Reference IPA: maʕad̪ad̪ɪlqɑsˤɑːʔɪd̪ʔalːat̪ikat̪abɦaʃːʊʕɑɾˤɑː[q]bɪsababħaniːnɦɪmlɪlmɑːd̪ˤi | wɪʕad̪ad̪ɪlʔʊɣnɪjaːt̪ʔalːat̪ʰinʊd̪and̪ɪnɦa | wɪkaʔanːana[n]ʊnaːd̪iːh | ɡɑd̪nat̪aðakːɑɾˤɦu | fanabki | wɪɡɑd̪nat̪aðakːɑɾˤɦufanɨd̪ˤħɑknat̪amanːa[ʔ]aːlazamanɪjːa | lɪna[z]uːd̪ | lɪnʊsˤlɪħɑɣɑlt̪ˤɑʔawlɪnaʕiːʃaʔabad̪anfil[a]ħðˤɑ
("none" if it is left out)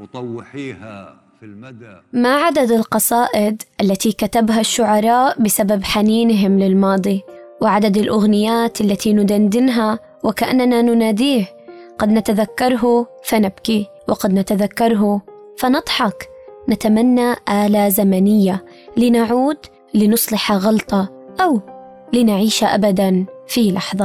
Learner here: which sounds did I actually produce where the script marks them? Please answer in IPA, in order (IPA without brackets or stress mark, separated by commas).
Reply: ʔ, n, ʔ, ʕ, ɑ